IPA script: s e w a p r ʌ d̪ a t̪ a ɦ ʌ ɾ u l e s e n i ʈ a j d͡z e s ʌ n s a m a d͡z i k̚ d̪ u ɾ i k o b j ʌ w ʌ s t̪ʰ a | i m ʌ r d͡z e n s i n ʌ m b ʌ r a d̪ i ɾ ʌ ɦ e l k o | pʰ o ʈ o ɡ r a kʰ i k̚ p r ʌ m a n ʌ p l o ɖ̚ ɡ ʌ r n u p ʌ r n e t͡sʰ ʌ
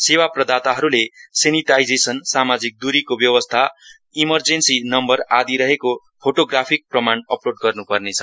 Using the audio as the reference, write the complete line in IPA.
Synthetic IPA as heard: s e w a p r ʌ d̪ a t̪ a ɦ ʌ ɾ u l e s e n i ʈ a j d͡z e s ʌ n s a m a d͡z i k̚ d̪ u ɾ i k o b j ʌ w ʌ s t̪ʰ a | i m ʌ r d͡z e n s i n ʌ m b ʌ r a d̪ i ɾ ʌ ɦ e k o | pʰ o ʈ o ɡ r a pʰ i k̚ p r ʌ m a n ʌ p l o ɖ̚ ɡ ʌ r n u p ʌ r n e t͡sʰ ʌ